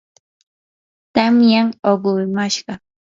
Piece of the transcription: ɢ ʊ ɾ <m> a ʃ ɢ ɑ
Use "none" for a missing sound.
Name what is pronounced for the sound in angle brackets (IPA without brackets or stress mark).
m